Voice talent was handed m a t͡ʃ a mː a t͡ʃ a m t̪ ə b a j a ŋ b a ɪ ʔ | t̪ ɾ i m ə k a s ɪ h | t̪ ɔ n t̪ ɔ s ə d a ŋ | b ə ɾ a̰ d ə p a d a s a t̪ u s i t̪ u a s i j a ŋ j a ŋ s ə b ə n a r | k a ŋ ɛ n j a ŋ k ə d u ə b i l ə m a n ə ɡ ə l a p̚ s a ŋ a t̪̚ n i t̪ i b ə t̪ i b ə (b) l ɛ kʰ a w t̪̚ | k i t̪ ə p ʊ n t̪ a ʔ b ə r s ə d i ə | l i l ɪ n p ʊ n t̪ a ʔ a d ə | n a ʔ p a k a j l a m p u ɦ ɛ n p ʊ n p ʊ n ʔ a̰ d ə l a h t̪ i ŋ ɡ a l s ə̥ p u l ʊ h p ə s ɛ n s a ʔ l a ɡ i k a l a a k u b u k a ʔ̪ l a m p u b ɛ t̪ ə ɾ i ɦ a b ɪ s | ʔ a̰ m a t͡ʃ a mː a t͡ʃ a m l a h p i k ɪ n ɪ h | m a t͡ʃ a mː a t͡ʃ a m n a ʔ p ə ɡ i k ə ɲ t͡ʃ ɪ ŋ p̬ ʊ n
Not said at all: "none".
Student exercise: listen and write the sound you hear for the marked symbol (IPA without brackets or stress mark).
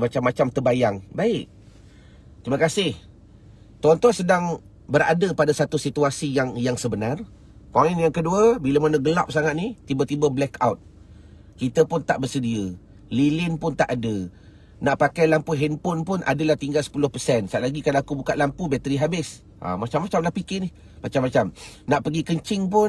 b